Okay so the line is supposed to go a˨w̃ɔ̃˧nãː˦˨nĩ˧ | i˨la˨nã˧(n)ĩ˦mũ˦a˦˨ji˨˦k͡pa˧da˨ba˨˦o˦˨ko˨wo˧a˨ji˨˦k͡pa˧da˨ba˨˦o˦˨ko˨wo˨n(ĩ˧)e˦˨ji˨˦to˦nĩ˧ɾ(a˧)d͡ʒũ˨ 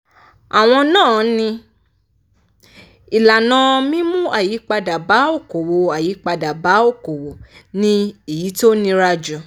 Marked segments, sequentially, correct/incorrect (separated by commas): incorrect, correct, correct